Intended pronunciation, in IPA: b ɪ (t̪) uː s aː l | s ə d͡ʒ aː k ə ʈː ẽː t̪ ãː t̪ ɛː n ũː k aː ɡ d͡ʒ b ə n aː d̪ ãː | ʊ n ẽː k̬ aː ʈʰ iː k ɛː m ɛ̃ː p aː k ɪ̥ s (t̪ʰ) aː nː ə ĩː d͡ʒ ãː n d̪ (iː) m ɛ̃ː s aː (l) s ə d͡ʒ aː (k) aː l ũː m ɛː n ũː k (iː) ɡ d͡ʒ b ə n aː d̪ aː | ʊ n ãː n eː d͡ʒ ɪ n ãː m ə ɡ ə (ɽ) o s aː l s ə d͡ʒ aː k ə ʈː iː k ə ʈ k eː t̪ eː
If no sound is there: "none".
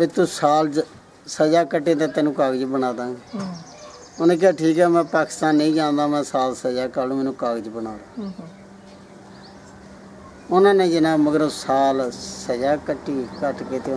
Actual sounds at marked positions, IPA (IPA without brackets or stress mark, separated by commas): t̪, t̪, aː, l, k, aː, ɾ